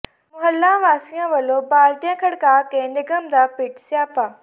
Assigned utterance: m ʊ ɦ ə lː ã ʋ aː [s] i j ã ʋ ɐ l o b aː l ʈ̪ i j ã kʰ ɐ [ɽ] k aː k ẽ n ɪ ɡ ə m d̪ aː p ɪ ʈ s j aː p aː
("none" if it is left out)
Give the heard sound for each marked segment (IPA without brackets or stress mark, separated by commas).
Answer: s, ɽ